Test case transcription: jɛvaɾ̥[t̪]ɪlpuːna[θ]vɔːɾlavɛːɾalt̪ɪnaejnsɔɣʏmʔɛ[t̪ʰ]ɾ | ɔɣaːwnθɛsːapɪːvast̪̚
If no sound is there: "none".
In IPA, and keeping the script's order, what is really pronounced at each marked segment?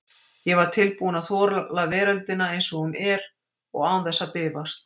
t̪ʰ, θ, none

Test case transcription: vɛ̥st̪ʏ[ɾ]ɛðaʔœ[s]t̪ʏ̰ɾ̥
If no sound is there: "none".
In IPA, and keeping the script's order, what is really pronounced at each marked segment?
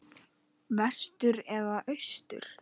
ɾ, s

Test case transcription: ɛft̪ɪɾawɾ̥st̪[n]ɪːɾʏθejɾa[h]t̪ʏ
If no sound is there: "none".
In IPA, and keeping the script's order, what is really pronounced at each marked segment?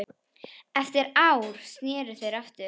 n, f

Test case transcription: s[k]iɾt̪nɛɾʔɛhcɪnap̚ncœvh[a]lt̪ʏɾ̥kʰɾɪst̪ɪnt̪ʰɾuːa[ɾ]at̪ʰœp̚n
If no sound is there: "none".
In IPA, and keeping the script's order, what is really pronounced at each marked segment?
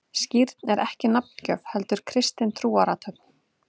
c, ɛ, ɾ

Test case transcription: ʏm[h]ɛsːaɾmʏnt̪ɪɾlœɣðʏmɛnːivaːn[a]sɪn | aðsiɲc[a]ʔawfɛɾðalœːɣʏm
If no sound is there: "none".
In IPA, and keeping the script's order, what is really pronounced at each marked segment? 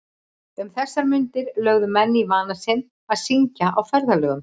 θ, a, a

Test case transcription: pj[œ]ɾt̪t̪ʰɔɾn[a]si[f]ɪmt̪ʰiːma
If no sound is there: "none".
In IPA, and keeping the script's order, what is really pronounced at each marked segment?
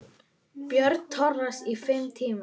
œ, a, f

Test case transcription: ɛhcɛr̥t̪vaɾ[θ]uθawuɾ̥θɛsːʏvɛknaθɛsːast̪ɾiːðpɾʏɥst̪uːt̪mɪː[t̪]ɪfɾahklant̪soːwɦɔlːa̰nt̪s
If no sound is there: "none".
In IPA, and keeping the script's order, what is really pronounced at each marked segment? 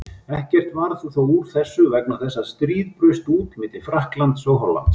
θ, t̪

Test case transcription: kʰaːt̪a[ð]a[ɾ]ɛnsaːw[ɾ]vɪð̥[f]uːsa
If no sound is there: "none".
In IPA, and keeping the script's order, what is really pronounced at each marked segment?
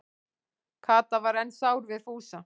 v, ɾ, ɾ, f

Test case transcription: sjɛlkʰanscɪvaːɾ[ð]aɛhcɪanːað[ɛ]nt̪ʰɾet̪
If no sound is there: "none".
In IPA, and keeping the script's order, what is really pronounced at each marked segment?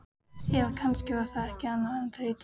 θ, ɛ

